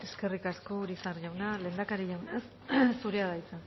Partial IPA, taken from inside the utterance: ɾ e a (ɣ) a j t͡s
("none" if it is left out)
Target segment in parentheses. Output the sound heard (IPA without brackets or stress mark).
ð